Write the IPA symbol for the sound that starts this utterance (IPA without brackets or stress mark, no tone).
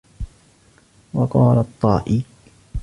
w